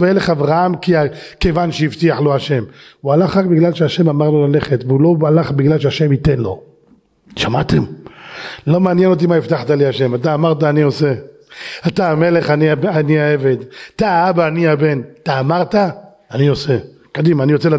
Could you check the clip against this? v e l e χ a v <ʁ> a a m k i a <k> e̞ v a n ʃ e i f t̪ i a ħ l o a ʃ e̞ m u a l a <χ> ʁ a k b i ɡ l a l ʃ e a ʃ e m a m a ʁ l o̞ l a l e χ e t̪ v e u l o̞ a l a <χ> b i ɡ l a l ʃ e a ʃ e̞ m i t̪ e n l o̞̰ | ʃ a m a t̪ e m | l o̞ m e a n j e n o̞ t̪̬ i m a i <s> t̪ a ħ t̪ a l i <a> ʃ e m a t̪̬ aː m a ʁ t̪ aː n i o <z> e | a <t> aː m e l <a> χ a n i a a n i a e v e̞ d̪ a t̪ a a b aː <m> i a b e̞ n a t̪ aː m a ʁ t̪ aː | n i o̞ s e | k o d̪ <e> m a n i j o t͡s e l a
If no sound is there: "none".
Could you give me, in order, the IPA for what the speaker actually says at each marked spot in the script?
ʁ, k, χ, χ, f, a, s, t, e, n, i

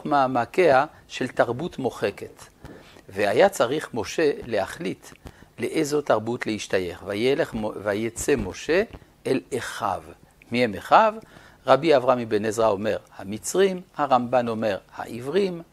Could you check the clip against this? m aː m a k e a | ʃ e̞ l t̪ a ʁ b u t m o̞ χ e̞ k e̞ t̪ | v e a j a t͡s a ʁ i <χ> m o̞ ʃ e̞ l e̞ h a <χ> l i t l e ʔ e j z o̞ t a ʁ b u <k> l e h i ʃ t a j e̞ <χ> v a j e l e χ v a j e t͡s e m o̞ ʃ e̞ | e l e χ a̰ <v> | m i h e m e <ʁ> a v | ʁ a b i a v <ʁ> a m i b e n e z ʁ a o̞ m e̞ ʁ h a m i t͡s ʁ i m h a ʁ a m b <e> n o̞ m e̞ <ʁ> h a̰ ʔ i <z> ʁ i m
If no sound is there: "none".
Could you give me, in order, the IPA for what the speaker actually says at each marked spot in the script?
χ, χ, t, χ, v, χ, ʁ, a, ʁ, v

